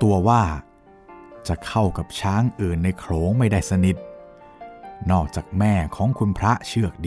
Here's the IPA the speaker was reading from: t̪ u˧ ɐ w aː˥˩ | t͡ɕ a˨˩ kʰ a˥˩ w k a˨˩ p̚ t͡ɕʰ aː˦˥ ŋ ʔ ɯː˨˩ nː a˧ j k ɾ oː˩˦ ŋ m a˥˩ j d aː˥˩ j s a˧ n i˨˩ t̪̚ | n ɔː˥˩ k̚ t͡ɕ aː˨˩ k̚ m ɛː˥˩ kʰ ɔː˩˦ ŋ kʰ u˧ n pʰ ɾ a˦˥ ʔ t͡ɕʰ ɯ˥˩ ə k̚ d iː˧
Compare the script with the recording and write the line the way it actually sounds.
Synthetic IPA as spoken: t̪ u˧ ɐ w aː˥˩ | t͡ɕ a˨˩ kʰ a˥˩ w k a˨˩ p̚ t͡ɕʰ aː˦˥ ŋ ʔ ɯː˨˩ nː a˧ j kʰ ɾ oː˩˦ ŋ m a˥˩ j d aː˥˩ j s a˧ n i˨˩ t̪̚ | n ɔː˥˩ k̚ t͡ɕ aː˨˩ k̚ m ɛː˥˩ kʰ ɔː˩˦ ŋ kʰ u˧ n pʰ ɾ a˦˥ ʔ t͡ɕʰ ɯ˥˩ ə k̚ d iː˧